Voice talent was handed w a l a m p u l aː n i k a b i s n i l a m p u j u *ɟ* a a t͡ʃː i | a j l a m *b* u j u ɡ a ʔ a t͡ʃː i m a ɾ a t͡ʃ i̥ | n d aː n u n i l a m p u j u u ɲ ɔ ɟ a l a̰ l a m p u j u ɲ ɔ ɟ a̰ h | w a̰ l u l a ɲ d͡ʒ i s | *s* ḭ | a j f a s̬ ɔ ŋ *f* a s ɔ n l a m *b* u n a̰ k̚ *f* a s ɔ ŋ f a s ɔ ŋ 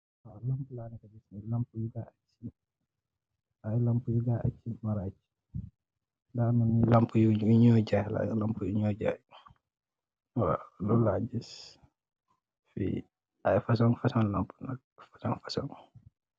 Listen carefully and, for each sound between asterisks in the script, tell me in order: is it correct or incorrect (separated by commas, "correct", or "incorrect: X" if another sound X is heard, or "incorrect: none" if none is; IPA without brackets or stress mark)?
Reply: incorrect: ɡ, incorrect: p, incorrect: f, correct, incorrect: p, correct